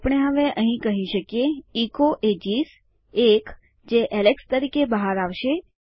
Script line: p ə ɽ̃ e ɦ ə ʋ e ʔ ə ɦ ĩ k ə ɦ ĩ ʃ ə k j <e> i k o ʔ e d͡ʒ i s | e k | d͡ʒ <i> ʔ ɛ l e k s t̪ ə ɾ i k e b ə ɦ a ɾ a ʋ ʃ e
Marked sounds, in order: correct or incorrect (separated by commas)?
correct, incorrect